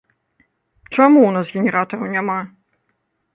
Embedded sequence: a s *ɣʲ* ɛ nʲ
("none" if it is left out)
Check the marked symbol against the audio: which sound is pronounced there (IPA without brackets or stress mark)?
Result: ɣʲ